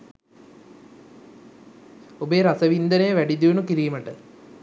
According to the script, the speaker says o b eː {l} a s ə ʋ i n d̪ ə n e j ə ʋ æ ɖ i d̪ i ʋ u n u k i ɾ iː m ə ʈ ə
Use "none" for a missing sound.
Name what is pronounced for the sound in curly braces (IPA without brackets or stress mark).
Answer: ɾ